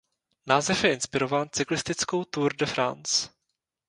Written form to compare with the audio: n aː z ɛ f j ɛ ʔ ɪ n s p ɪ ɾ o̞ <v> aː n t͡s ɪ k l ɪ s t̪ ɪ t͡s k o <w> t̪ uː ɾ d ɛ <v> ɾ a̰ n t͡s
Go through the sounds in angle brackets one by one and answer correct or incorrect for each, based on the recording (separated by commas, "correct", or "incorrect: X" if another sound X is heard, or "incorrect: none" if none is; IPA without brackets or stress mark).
correct, correct, incorrect: f